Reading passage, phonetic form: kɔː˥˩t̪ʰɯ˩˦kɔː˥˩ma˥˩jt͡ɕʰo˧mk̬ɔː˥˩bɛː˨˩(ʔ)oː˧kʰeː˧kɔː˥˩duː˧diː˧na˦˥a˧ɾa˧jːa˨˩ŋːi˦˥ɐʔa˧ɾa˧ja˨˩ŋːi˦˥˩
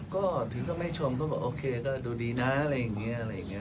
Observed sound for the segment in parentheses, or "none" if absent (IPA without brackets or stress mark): ʔ